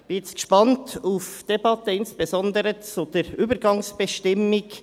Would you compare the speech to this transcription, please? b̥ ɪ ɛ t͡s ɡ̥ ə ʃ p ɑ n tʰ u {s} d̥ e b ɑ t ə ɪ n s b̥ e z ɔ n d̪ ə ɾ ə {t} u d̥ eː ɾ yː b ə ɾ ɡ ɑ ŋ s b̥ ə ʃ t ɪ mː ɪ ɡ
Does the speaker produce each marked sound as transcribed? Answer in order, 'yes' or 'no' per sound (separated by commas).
no, no